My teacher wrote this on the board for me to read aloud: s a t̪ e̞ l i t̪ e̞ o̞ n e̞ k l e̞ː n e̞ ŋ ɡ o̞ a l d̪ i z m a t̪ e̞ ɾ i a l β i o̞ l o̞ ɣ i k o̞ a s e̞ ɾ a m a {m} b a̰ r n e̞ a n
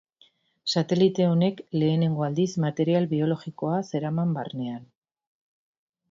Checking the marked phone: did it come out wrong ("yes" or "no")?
no